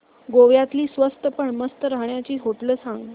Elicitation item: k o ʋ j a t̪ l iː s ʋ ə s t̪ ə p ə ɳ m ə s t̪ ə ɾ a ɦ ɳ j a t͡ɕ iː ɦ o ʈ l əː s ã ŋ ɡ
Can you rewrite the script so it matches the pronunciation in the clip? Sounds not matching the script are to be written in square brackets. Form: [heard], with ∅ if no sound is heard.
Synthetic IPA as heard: [ɡ] o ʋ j a t̪ l iː s ʋ ə s t̪ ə p ə ɳ m ə s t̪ ə ɾ a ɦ ɳ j a t͡ɕ iː ɦ o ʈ l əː s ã ŋ ɡ